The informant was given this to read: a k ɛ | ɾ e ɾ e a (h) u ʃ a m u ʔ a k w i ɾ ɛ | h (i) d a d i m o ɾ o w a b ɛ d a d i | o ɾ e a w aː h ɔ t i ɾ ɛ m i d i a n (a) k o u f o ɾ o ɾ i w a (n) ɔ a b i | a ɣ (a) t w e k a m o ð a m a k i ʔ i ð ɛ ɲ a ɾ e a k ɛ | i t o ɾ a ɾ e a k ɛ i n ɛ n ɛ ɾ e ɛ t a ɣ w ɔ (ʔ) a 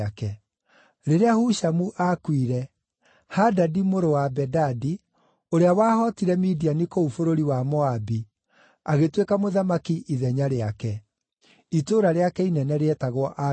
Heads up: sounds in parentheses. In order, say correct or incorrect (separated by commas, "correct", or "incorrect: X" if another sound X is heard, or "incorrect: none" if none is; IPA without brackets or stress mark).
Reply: correct, incorrect: a, incorrect: i, incorrect: m, incorrect: e, correct